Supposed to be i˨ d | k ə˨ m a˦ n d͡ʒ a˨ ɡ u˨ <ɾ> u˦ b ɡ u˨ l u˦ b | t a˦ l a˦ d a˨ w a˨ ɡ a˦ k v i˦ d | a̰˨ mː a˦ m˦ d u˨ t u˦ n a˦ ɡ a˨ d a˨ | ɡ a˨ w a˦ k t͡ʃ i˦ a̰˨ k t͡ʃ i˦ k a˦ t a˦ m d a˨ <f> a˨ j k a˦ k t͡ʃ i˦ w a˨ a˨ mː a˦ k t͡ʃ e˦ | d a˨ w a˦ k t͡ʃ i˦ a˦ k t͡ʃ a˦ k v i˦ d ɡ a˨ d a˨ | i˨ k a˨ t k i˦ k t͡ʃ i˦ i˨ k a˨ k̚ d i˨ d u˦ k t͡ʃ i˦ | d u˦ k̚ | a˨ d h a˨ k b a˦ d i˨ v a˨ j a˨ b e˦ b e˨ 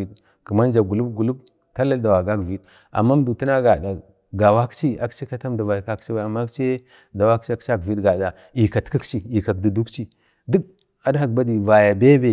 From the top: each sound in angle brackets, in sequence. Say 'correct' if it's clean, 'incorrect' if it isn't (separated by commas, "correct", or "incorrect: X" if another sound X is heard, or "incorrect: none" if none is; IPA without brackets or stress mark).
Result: incorrect: l, incorrect: v